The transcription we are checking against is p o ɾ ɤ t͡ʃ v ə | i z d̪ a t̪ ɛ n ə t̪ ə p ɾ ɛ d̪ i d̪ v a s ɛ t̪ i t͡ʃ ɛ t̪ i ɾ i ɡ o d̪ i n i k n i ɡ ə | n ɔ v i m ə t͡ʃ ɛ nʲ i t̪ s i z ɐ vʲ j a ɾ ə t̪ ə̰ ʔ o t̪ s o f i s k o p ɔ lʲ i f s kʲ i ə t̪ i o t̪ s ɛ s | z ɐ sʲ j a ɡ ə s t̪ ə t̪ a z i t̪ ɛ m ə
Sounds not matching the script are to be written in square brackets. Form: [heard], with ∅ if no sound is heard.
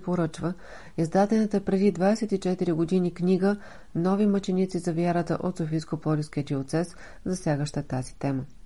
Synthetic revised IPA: p o ɾ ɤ t͡ʃ v ə | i z d̪ a t̪ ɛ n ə t̪ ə p ɾ ɛ d̪ i d̪ v a s ɛ t̪ i t͡ʃ ɛ t̪ i ɾ i ɡ o d̪ i n i k n i ɡ ə | n ɔ v i m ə t͡ʃ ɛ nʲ i t̪ s i z ɐ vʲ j a ɾ ə t̪ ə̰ ʔ o t̪ s o f i s k o p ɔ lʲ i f s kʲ i ə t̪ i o t̪ s ɛ s | z ɐ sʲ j a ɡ ə [ʃ] t̪ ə t̪ a z i t̪ ɛ m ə